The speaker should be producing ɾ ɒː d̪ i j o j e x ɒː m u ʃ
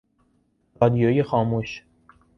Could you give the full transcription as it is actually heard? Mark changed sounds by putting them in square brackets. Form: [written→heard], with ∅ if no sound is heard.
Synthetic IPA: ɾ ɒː d̪ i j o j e x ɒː m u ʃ

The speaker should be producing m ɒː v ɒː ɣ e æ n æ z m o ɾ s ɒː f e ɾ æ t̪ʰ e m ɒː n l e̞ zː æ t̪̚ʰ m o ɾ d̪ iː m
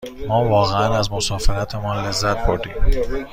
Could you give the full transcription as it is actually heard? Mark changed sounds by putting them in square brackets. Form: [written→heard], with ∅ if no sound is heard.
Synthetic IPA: m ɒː v ɒː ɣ e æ n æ z m o [ɾ→∅] s ɒː f e ɾ æ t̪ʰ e m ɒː n l e̞ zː æ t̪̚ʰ [m→b] o ɾ d̪ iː m

